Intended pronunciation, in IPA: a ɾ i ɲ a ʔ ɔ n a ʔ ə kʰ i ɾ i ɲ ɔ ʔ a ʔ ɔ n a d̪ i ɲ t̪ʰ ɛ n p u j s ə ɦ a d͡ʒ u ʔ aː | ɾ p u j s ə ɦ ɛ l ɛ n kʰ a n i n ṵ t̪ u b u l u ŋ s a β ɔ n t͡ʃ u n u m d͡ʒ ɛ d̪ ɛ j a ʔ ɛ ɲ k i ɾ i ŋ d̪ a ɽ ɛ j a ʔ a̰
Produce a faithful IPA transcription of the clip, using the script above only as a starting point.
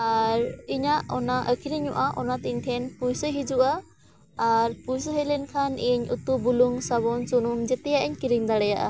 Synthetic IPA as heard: a ɾ i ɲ a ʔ ɔ n a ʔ ə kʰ i ɾ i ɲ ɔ ʔ a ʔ ɔ n a t̪ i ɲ t̪ʰ ɛ n p u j s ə ɦ i d͡ʒ u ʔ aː | ɾ p u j s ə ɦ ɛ l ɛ n kʰ a n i ɲ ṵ t̪ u b u l u ŋ s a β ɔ n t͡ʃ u n u m d͡ʒ ɛ t̪ ɛ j a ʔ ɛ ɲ k i ɾ i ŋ d̪ a ɽ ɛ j a ʔ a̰